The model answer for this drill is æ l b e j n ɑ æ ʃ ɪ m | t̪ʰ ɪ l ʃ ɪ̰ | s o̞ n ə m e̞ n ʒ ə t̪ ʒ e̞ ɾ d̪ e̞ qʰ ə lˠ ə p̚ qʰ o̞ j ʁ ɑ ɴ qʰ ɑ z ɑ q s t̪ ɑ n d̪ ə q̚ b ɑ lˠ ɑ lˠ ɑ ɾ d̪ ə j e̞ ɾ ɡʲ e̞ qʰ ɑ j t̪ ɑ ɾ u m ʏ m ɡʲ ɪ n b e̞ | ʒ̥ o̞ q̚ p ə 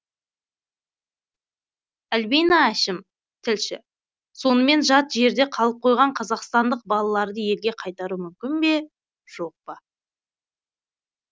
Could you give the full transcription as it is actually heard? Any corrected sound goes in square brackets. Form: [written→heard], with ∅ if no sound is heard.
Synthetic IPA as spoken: æ l b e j n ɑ æ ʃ ɪ m | t̪ʰ ɪ l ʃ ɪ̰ | s o̞ n ə m e̞ n ʒ [ə→ɑ] t̪ ʒ e̞ ɾ d̪ e̞ qʰ [ə→ɑ] lˠ ə p̚ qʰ o̞ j ʁ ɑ ɴ qʰ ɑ z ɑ q s t̪ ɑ n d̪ ə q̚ b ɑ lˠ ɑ lˠ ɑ ɾ d̪ ə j e̞ [ɾ→l] ɡʲ e̞ qʰ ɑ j t̪ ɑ ɾ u m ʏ m [ɡʲ→kʲ] ɪ n b e̞ | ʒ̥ o̞ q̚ p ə